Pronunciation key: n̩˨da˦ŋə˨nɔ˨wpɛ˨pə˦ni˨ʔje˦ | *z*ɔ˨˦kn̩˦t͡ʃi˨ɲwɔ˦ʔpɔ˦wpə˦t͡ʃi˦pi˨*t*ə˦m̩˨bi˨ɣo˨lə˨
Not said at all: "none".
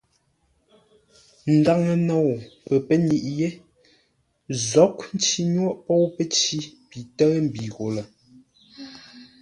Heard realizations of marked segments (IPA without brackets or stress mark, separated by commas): z, t